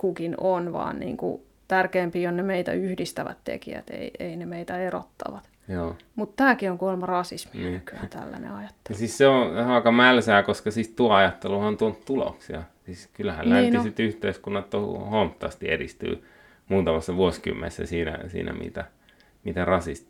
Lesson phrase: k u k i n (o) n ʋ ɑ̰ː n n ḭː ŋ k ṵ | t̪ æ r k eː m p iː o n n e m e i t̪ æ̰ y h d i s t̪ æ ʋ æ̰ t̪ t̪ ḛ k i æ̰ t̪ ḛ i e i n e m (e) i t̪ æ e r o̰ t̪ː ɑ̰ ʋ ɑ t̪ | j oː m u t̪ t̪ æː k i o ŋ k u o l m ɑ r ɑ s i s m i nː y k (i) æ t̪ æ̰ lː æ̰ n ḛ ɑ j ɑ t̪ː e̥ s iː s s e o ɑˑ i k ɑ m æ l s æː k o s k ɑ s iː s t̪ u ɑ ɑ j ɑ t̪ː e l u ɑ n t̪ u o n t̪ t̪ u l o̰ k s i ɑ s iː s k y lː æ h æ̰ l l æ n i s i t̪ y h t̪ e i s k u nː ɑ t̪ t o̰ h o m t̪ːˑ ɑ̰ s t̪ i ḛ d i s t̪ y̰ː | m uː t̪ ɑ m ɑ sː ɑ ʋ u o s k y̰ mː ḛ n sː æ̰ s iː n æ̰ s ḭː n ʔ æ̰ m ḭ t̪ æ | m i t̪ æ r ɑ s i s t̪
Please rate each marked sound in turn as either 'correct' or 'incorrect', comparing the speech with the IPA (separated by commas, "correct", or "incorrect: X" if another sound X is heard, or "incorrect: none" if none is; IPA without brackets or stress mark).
correct, correct, incorrect: y